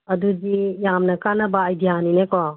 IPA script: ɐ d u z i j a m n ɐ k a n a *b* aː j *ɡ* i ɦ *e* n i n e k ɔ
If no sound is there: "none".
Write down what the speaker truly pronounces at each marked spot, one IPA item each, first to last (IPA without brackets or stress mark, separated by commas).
b, d, a